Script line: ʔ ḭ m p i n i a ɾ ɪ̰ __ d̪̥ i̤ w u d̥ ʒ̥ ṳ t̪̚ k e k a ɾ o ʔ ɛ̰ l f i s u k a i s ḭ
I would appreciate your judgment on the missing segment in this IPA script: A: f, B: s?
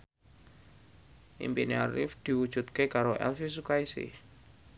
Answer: A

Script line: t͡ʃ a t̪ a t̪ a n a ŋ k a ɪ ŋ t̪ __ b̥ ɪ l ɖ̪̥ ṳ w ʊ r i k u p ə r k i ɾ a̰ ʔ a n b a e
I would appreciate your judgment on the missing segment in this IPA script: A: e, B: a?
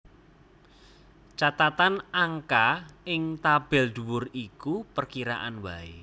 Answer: B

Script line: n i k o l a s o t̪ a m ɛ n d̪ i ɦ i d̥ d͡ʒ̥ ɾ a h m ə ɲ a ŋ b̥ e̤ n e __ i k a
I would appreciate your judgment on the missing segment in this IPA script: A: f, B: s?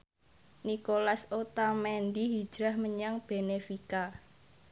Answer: A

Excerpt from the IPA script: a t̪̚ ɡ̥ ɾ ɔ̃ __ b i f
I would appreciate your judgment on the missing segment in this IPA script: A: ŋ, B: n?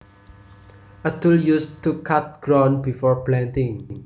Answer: B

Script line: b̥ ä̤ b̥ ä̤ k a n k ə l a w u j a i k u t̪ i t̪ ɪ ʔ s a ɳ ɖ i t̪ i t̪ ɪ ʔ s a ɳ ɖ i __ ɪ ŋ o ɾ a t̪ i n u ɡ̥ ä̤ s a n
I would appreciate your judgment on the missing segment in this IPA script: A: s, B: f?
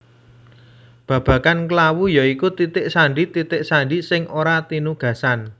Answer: A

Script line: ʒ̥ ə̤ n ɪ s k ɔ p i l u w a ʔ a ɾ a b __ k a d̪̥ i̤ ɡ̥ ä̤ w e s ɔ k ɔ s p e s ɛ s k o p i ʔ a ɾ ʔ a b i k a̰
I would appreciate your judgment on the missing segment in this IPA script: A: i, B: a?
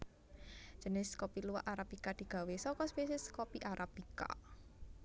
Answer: A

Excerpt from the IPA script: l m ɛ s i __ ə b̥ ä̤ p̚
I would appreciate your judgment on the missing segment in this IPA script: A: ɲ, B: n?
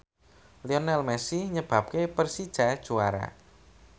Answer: A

